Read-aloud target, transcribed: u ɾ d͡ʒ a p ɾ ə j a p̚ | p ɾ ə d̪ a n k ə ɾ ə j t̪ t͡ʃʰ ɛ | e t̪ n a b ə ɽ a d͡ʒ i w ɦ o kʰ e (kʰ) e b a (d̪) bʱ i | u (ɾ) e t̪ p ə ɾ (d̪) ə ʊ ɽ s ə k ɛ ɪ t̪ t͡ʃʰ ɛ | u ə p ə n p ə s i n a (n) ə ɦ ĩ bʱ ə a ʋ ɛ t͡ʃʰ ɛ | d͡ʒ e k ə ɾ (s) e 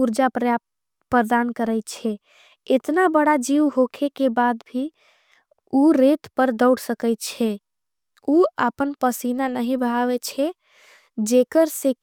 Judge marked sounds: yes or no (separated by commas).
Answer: no, yes, yes, yes, yes, yes